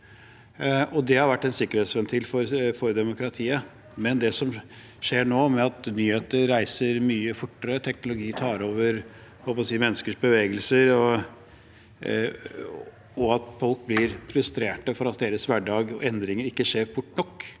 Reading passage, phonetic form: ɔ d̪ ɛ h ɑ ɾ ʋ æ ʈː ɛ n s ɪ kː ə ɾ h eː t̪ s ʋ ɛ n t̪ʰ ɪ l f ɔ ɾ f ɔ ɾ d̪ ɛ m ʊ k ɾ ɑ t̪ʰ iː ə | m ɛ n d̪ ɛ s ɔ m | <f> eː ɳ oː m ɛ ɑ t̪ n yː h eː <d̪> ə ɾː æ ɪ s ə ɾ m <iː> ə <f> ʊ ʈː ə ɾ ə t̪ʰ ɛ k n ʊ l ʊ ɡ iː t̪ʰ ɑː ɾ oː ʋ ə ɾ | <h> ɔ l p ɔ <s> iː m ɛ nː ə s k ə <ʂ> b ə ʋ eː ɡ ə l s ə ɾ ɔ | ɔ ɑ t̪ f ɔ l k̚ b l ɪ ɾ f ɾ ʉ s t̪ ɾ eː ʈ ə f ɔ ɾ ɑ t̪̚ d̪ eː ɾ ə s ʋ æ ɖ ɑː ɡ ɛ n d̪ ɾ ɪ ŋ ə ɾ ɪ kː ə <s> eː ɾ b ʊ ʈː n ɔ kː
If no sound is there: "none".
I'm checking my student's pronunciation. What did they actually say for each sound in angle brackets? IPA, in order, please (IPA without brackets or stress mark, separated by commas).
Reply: ʂ, t̪, yː, f, h, s, ʂ, ʂ